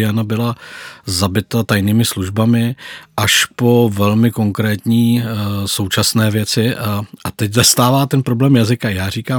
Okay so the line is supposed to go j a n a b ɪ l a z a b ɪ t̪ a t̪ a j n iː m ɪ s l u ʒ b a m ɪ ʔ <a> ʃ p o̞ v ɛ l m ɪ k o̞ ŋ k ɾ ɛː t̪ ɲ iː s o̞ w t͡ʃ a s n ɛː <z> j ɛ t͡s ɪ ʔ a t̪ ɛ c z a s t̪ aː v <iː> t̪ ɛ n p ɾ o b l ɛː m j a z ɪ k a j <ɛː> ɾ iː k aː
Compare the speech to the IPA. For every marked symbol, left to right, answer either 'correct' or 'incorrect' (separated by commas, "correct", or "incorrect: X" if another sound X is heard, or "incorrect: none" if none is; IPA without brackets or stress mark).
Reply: correct, incorrect: v, incorrect: aː, incorrect: aː